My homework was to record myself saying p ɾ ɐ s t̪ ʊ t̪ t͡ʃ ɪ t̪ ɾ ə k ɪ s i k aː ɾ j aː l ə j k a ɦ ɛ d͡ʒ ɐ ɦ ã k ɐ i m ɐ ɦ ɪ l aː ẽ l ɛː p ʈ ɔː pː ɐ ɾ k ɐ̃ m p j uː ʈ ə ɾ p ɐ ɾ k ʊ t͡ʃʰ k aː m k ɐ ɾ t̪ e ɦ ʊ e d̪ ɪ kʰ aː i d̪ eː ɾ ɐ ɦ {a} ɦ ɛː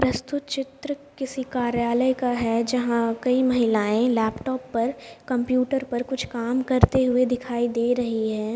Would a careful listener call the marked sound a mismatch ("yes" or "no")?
yes